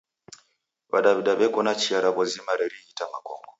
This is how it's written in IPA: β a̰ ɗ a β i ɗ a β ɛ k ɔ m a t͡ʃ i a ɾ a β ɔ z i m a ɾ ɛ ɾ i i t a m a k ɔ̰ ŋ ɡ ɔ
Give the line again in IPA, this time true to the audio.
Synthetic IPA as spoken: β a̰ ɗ a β i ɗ a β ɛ k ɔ n a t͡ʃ i a ɾ a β ɔ z i m a ɾ ɛ ɾ i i t a m a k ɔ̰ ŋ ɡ ɔ